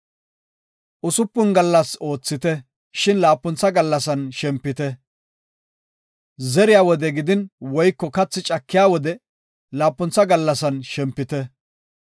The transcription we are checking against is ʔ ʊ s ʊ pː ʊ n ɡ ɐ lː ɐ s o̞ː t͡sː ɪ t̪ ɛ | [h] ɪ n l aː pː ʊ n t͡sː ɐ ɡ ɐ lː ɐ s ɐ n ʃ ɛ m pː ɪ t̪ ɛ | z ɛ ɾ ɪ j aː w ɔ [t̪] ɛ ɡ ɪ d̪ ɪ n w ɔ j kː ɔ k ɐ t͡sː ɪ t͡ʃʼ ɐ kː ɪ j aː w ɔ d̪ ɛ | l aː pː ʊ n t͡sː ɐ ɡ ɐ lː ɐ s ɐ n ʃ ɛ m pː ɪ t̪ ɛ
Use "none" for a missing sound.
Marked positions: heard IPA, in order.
ʃ, d̪

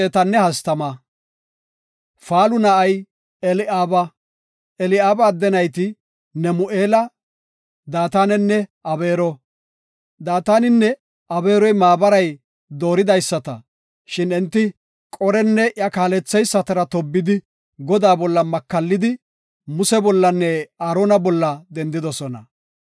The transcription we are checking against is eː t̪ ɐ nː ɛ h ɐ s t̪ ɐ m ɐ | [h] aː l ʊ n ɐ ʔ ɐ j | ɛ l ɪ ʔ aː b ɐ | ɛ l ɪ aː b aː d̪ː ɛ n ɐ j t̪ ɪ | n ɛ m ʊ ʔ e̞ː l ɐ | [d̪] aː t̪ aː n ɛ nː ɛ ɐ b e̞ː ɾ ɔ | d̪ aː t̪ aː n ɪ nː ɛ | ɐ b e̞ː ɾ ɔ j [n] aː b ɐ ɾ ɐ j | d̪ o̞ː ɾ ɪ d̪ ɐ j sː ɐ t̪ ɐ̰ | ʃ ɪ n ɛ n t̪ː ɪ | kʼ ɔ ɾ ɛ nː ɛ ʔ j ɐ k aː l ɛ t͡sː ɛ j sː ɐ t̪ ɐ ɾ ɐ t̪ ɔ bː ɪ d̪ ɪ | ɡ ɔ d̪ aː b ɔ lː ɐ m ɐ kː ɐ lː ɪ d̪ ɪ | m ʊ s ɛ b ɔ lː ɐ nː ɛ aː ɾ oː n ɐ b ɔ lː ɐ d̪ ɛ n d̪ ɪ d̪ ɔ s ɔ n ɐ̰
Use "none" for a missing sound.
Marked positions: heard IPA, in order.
f, d̪, m

